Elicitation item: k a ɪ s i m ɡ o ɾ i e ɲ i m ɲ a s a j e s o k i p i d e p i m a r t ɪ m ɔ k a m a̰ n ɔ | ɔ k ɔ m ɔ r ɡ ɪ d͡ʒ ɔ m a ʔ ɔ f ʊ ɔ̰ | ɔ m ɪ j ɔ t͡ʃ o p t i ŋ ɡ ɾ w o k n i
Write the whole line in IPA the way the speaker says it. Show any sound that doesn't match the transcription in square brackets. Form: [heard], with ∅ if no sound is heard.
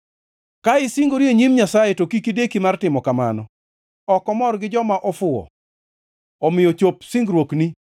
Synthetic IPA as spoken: k a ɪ s i [ŋ] ɡ o ɾ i e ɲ i m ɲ a s a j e [t] o k i [k] i d e [k] i m a r t ɪ m ɔ k a m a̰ n ɔ | ɔ k ɔ m ɔ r ɡ ɪ d͡ʒ ɔ m a ʔ ɔ f ʊ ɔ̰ | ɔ m ɪ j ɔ t͡ʃ o p [s] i ŋ ɡ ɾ w o k n i